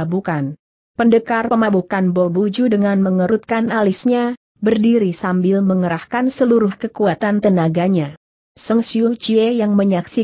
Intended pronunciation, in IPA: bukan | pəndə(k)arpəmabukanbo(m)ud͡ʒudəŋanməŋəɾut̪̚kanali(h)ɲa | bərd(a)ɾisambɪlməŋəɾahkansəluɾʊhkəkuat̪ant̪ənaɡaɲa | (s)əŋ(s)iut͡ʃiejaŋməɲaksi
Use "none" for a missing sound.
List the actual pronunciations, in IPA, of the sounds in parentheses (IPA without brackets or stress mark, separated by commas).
k, b, s, i, s, s